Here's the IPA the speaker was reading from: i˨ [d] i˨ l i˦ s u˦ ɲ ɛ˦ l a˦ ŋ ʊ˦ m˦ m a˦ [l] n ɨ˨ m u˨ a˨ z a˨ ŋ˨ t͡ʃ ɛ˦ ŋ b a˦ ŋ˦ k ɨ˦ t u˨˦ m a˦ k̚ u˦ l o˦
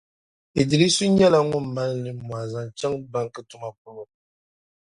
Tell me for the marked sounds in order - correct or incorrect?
correct, correct

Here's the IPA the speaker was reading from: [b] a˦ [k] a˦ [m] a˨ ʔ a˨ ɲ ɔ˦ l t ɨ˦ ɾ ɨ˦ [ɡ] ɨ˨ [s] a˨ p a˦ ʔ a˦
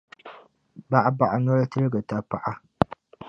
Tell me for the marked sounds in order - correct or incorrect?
correct, incorrect, incorrect, correct, incorrect

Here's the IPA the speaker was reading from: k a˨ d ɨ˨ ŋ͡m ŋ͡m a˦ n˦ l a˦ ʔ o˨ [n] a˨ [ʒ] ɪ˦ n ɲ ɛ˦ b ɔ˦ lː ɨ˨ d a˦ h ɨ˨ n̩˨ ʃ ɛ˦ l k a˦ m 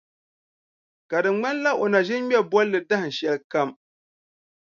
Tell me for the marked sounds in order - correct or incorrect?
correct, correct

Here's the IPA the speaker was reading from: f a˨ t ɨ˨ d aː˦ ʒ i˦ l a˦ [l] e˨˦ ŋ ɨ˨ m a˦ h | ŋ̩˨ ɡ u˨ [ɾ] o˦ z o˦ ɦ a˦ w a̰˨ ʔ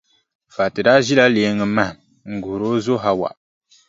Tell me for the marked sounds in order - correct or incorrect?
correct, correct

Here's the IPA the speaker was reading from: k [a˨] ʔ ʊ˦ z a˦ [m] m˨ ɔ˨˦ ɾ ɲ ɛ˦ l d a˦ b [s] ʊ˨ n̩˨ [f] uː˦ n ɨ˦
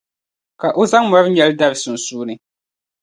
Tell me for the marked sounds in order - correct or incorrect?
correct, incorrect, correct, incorrect

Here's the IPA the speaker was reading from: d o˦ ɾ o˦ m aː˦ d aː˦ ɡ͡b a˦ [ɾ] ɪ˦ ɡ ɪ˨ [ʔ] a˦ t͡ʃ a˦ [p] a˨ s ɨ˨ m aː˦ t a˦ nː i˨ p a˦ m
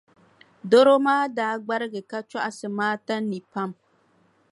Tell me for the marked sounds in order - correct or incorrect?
correct, incorrect, incorrect

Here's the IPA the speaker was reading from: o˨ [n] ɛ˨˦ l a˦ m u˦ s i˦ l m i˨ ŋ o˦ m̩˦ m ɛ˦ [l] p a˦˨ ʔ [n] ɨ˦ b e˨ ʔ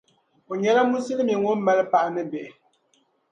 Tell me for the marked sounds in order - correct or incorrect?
incorrect, correct, correct

